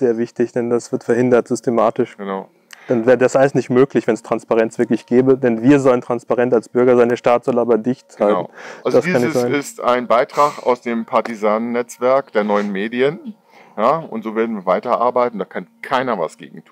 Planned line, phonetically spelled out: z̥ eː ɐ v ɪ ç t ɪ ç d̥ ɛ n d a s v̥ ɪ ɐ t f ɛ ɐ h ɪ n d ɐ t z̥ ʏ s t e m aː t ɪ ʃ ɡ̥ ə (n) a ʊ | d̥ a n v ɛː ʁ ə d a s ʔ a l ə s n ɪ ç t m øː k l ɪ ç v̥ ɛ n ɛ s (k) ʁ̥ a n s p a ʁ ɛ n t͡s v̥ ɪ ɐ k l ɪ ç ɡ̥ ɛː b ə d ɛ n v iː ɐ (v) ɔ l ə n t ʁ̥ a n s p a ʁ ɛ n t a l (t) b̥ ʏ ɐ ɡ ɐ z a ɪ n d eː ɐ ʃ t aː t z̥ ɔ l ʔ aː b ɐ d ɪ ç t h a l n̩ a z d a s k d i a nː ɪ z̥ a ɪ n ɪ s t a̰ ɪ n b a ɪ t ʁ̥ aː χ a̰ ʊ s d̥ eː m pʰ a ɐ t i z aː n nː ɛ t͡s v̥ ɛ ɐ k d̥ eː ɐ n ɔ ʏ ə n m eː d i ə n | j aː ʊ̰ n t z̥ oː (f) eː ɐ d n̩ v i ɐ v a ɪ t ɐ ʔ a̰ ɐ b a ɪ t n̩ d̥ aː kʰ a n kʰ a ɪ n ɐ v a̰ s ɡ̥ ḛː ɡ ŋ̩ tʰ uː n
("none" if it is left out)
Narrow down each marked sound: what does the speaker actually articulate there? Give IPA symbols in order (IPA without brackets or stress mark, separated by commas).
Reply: n, t, z, s, v